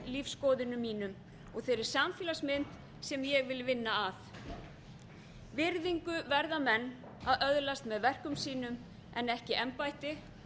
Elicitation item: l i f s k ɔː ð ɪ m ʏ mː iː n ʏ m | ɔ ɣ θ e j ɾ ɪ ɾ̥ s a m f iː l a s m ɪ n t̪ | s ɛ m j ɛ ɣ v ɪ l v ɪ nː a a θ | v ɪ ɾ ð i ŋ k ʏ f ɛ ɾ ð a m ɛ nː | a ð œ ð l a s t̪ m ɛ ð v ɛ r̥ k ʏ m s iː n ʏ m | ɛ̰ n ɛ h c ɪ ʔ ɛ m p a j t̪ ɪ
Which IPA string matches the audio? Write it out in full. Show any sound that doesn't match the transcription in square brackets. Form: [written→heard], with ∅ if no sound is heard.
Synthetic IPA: l i f s k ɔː ð ɪ [m→n] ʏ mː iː n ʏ m | ɔ ɣ θ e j ɾ ɪ ɾ̥ s a m f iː l a s m ɪ n t̪ | s ɛ m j ɛ ɣ v ɪ l v ɪ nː a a θ | v ɪ ɾ ð i ŋ k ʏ [f→v] ɛ ɾ ð a m ɛ nː | a ð œ ð l a s t̪ m ɛ ð v ɛ r̥ k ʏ m s iː n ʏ m | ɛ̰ n ɛ h c ɪ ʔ ɛ m p a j t̪ ɪ